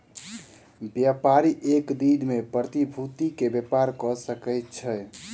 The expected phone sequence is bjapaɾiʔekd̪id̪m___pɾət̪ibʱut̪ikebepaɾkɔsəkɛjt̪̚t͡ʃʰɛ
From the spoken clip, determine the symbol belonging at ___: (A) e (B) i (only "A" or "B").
A